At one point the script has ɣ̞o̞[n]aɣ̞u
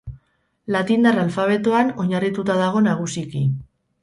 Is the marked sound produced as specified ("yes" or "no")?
yes